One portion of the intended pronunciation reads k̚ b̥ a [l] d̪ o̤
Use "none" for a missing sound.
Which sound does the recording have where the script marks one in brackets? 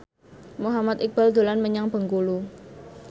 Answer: l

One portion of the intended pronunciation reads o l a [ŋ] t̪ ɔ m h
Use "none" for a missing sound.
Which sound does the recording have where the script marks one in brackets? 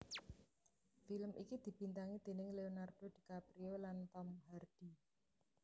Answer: n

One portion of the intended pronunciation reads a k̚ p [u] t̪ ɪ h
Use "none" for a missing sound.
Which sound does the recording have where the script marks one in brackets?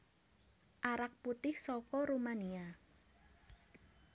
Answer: u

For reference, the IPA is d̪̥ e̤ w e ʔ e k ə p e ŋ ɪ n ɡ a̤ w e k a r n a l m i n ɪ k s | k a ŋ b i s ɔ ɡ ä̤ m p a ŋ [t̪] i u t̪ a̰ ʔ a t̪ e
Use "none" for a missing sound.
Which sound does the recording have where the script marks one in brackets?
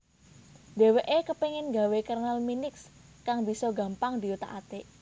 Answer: d̪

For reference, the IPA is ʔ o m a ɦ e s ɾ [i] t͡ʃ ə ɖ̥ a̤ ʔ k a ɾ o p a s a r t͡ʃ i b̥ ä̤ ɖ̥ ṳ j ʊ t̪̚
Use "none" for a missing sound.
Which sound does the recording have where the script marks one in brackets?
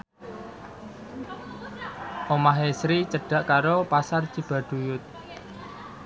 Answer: i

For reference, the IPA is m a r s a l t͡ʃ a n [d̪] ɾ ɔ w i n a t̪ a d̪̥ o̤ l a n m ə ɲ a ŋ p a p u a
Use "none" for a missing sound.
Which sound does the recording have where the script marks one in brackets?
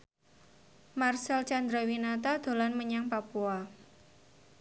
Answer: d̪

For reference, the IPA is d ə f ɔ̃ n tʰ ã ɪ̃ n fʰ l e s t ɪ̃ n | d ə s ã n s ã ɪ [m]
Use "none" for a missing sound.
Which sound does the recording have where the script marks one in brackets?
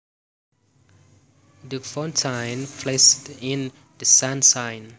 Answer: n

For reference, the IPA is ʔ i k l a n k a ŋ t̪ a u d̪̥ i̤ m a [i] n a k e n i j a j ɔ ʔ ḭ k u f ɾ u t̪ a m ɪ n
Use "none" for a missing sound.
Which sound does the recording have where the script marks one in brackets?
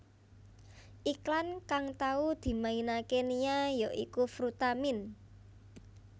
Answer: i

